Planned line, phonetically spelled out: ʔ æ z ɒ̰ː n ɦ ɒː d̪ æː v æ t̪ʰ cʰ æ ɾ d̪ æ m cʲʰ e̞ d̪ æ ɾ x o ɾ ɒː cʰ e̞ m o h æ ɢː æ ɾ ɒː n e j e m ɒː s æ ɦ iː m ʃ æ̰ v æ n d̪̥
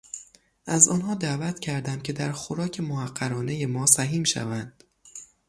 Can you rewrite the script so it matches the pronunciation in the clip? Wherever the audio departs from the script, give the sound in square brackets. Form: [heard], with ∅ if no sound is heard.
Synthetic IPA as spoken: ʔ æ z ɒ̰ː n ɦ ɒː d̪ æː v æ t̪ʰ cʰ æ ɾ d̪ æ m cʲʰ e̞ d̪ æ ɾ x o ɾ ɒː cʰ e̞ m o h æ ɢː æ ɾ ɒː n e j e m ɒː s æ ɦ iː m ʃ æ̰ v æ n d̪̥